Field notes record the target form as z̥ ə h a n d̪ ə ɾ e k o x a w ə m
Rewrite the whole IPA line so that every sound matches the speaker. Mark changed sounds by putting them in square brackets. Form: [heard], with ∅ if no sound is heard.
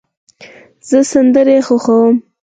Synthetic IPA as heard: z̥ ə [s] a n d̪ ə ɾ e [x] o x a w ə m